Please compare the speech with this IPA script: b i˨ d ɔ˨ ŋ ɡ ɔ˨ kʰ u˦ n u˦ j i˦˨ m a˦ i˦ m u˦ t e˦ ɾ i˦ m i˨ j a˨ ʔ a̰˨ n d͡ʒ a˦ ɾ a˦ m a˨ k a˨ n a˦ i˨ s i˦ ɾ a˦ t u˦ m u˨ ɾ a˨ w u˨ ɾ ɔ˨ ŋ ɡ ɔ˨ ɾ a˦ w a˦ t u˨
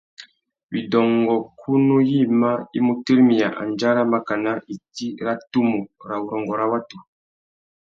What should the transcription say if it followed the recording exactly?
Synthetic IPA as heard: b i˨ d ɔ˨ ŋ ɡ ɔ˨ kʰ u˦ n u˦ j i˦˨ m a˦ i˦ m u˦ t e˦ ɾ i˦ m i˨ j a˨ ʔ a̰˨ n d͡ʒ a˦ ɾ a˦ m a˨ k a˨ n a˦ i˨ t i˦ ɾ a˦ t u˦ m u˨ ɾ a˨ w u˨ ɾ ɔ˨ ŋ ɡ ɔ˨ ɾ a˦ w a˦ t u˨